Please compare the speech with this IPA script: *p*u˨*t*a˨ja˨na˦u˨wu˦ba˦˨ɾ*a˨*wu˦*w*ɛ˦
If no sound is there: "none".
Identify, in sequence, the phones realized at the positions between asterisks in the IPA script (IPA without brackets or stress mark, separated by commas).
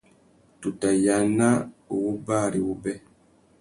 t, t, i˨, b